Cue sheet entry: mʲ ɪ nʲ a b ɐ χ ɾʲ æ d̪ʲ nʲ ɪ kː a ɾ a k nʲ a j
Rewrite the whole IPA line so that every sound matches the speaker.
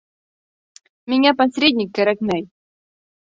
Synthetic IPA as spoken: mʲ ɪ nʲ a p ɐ s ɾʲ e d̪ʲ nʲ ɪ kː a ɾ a k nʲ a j